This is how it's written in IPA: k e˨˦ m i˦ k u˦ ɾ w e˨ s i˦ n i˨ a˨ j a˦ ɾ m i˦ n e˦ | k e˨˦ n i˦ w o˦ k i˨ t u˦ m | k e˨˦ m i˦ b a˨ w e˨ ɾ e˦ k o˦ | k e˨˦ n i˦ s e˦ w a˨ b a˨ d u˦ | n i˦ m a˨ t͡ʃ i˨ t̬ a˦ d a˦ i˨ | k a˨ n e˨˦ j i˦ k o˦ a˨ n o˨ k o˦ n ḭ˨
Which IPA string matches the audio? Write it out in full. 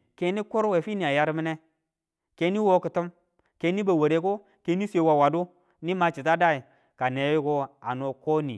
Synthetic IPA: k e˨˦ n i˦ k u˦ ɾ w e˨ f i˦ n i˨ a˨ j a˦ ɾ m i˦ n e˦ | k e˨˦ n i˦ w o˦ k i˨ t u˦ m | k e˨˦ n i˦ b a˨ w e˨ ɾ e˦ k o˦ | k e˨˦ n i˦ s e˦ w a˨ w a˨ d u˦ | n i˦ m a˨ t͡ʃ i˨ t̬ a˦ d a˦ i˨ | k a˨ n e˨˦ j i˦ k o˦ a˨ n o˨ k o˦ n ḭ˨